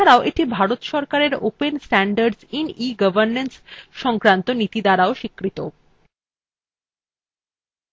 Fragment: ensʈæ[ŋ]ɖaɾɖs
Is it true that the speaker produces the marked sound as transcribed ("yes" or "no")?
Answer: no